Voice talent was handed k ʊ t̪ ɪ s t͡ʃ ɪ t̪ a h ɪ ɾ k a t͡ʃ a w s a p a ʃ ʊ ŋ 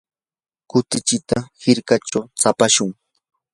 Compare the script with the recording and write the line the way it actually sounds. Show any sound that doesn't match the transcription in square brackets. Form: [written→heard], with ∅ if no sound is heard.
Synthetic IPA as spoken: k ʊ t̪ ɪ [s→∅] t͡ʃ ɪ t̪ a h ɪ ɾ k a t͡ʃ a w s a p a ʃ ʊ ŋ